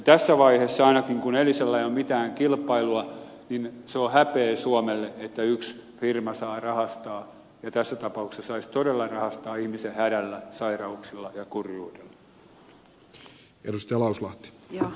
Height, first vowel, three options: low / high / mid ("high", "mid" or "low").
low